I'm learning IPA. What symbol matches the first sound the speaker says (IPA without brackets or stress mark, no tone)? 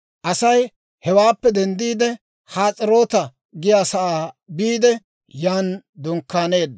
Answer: ʔ